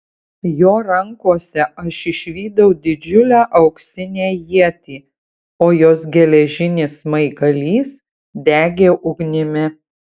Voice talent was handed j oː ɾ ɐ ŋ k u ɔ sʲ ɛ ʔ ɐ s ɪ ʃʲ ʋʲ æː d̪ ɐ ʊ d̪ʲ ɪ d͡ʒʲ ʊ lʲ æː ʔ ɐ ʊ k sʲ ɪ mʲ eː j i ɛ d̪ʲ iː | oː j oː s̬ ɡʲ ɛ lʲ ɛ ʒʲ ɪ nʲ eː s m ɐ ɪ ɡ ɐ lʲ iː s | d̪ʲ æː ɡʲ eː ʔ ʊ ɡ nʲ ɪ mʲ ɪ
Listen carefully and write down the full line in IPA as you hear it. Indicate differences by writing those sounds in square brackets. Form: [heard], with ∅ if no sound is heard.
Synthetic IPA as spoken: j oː ɾ ɐ ŋ k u ɔ sʲ ɛ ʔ ɐ [ʃ] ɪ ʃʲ ʋʲ [iː] d̪ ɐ ʊ d̪ʲ ɪ d͡ʒʲ ʊ lʲ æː ʔ ɐ ʊ k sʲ ɪ [nʲ] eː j i ɛ [t̪ʲ] iː | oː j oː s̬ ɡʲ ɛ lʲ ɛ ʒʲ ɪ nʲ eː s m ɐ ɪ ɡ ɐ lʲ iː s | d̪ʲ æː ɡʲ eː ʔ ʊ ɡ nʲ ɪ mʲ ɪ

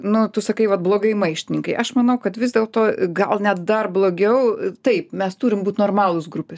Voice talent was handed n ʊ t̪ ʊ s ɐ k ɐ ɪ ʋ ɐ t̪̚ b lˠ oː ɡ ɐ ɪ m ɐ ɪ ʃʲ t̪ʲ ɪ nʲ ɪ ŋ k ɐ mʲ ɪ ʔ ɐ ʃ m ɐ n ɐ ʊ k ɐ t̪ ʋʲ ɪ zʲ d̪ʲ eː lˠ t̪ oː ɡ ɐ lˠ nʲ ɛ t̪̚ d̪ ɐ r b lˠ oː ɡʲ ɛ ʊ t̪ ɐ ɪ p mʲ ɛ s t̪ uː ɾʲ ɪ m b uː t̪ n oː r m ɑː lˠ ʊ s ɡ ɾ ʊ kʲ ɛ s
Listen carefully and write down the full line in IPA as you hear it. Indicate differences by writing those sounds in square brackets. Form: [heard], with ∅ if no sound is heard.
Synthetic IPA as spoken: n ʊ t̪ ʊ s ɐ k ɐ ɪ ʋ ɐ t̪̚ b lˠ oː ɡ ɐ ɪ m ɐ ɪ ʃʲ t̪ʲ ɪ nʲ ɪ ŋ k ɐ [∅] ɪ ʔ ɐ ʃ m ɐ n ɐ ʊ k ɐ t̪ ʋʲ ɪ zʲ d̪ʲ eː lˠ t̪ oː ɡ ɐ lˠ nʲ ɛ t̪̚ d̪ ɐ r b lˠ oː ɡʲ ɛ ʊ t̪ ɐ ɪ p mʲ ɛ s t̪ uː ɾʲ ɪ m b uː t̪ n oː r m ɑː lˠ ʊ s ɡ ɾ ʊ [pʲ] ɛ s

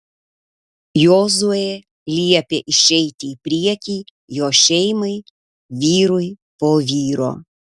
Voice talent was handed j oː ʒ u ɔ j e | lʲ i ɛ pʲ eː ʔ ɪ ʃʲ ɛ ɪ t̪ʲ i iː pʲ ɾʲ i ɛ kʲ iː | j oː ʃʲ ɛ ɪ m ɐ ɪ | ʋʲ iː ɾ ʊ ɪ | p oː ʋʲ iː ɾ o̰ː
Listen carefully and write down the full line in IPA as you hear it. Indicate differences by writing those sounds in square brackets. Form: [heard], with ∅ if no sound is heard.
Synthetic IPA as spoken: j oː [z] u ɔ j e | lʲ i ɛ pʲ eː ʔ ɪ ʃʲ ɛ ɪ t̪ʲ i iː pʲ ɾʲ i ɛ kʲ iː | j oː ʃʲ ɛ ɪ m ɐ ɪ | ʋʲ iː ɾ ʊ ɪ | p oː ʋʲ iː ɾ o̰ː

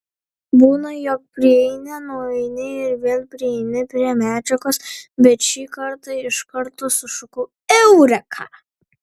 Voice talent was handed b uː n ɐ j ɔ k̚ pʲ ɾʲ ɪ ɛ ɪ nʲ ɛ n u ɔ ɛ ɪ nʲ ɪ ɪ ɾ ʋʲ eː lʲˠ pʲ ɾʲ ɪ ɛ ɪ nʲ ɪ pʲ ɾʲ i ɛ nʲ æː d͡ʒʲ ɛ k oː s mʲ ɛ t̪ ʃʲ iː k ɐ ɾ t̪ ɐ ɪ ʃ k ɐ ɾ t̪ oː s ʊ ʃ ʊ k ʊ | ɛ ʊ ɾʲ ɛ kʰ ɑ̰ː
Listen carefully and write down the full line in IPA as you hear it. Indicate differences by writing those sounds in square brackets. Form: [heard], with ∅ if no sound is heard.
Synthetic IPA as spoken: b uː n ɐ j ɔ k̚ pʲ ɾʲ ɪ ɛ ɪ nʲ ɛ n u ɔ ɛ ɪ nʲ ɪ ɪ ɾ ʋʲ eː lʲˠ pʲ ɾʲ ɪ ɛ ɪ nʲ ɪ pʲ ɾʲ i ɛ [mʲ] æː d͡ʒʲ ɛ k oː s [bʲ] ɛ t̪ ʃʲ iː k ɐ ɾ t̪ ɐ ɪ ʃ k ɐ ɾ t̪ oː s ʊ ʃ ʊ k ʊ | ɛ ʊ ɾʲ ɛ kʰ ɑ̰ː

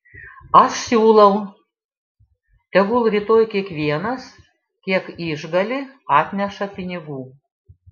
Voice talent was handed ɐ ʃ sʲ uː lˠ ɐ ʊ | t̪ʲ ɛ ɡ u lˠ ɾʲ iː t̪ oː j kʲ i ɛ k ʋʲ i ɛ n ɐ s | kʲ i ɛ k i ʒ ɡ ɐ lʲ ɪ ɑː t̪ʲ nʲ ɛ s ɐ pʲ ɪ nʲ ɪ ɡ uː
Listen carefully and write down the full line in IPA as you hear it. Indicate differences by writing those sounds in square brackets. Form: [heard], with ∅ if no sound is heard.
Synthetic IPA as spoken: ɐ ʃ sʲ uː lˠ ɐ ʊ | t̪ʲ ɛ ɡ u lˠ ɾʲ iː t̪ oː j kʲ i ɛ k ʋʲ i ɛ n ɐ s | kʲ i ɛ k i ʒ ɡ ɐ lʲ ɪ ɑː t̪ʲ nʲ ɛ [ʃ] ɐ pʲ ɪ nʲ ɪ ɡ uː

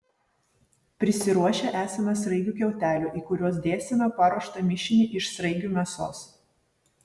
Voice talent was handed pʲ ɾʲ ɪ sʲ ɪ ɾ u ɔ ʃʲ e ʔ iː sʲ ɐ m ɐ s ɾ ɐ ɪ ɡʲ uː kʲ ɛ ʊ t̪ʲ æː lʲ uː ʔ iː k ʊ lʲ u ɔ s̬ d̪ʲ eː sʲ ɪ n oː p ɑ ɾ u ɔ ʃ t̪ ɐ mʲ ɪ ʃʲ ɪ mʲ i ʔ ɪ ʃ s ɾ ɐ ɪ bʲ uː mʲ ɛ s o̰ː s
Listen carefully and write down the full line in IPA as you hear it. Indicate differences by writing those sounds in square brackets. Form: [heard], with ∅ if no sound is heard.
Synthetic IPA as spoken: pʲ ɾʲ ɪ sʲ ɪ ɾ u ɔ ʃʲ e ʔ [æː] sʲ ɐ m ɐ s ɾ ɐ ɪ ɡʲ uː kʲ ɛ ʊ t̪ʲ æː lʲ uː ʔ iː k ʊ [ɾʲ] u ɔ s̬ d̪ʲ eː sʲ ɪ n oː p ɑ ɾ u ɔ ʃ t̪ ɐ mʲ ɪ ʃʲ ɪ [nʲ] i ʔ ɪ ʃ s ɾ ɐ ɪ [ɡʲ] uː mʲ ɛ s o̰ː s

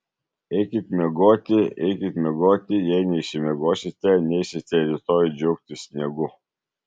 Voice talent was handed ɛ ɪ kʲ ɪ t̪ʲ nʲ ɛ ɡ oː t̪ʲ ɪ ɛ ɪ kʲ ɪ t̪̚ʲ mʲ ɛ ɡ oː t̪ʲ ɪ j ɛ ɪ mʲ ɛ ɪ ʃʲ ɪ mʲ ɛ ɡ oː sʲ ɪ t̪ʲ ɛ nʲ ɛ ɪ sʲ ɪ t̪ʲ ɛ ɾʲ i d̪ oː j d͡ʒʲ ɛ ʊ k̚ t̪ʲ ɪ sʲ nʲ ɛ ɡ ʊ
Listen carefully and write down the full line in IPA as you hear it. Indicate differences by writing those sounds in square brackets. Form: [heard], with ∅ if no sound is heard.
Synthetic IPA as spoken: ɛ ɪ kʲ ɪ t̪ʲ [mʲ] ɛ ɡ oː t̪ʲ ɪ ɛ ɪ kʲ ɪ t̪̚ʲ mʲ ɛ ɡ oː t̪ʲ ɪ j ɛ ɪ [nʲ] ɛ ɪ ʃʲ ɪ mʲ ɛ ɡ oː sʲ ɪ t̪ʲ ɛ nʲ ɛ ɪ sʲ ɪ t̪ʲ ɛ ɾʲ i [t̪] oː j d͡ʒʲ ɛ ʊ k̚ t̪ʲ ɪ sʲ nʲ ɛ ɡ ʊ

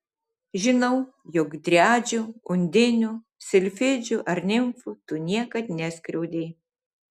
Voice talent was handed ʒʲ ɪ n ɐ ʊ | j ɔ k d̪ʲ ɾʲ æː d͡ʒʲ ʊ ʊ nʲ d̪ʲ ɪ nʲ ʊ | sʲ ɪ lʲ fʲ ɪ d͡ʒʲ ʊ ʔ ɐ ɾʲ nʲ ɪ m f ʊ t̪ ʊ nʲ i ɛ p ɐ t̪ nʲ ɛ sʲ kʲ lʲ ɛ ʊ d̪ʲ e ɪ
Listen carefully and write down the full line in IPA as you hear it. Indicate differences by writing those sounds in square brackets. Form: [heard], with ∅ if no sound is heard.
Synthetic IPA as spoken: ʒʲ ɪ n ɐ ʊ | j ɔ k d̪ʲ ɾʲ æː d͡ʒʲ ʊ ʊ nʲ d̪ʲ ɪ nʲ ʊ | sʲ ɪ lʲ fʲ ɪ d͡ʒʲ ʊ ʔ ɐ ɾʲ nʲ ɪ m f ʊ t̪ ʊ nʲ i ɛ [k] ɐ t̪ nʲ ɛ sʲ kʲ [ɾʲ] ɛ ʊ d̪ʲ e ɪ

